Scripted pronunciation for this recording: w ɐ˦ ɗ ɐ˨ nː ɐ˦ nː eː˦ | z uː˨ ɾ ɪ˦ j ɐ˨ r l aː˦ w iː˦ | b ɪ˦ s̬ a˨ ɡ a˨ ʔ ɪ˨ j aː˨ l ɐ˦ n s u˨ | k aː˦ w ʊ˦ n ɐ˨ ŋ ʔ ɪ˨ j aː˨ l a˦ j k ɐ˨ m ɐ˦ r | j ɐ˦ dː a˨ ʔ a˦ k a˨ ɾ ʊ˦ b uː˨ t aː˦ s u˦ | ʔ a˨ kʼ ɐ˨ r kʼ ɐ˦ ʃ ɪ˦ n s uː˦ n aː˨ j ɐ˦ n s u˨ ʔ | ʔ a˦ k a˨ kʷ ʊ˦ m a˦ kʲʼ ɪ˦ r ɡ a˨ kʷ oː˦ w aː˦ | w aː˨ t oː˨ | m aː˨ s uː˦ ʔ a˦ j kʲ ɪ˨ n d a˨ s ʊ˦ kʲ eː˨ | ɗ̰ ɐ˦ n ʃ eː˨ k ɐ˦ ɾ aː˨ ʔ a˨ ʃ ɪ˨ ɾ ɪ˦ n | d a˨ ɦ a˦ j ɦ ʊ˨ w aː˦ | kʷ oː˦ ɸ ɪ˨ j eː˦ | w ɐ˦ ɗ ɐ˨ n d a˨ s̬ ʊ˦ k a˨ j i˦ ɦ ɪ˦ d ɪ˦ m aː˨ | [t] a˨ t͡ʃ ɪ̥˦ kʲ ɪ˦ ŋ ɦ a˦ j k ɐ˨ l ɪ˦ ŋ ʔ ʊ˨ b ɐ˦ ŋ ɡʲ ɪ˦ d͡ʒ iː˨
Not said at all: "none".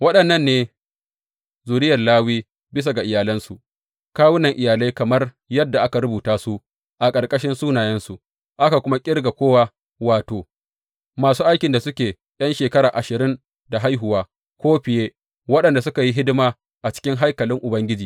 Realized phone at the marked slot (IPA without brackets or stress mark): ʔ